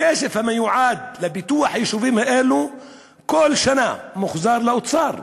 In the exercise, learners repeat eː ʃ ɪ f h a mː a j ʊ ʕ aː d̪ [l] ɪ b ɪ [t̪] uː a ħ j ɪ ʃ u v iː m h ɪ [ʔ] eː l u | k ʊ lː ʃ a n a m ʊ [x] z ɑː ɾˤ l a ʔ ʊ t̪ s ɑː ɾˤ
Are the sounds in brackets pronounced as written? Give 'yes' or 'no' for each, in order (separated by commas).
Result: yes, yes, yes, yes